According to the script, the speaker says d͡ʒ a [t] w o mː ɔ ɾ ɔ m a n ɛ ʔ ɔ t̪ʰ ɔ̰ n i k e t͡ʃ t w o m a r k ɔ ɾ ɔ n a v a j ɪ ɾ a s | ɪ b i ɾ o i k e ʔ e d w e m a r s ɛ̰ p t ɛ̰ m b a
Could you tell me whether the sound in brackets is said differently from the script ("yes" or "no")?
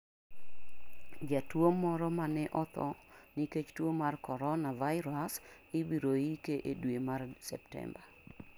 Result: no